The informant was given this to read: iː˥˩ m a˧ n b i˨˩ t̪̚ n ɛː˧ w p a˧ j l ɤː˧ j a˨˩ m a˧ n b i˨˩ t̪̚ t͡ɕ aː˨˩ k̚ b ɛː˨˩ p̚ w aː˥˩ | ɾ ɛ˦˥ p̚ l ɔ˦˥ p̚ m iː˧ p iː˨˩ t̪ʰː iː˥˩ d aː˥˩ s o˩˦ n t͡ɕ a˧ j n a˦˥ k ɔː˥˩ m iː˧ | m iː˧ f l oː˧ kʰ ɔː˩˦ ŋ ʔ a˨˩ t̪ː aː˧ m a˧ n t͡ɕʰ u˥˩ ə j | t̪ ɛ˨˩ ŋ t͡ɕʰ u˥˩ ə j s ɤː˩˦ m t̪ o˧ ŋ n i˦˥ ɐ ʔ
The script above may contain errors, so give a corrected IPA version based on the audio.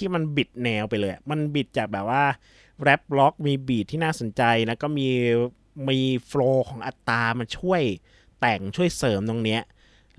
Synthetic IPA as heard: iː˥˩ m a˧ n b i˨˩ t̪̚ n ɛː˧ w p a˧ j l ɤː˧ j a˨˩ m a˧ n b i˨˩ t̪̚ t͡ɕ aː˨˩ k̚ b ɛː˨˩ p̚ w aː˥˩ | ɾ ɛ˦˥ p̚ l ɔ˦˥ k̚ m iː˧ b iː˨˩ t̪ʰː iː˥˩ n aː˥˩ s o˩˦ n t͡ɕ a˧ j n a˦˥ k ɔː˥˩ m iː˧ | m iː˧ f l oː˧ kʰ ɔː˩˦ ŋ ʔ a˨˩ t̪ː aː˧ m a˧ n t͡ɕʰ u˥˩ ə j | t̪ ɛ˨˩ ŋ t͡ɕʰ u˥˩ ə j s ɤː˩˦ m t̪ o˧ ŋ n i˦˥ ɐ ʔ